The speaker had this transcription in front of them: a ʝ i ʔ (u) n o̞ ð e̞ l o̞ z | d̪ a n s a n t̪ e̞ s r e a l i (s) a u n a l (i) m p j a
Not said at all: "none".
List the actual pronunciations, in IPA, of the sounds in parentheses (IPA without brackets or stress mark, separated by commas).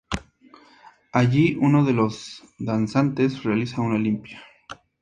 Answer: u, s, i